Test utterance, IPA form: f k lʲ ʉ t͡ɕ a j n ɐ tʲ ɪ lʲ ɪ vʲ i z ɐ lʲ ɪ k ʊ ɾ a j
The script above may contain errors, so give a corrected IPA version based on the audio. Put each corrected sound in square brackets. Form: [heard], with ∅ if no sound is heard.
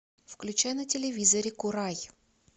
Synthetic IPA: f k lʲ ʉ t͡ɕ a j n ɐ tʲ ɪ lʲ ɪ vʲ i z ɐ [ɾʲ] ɪ k ʊ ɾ a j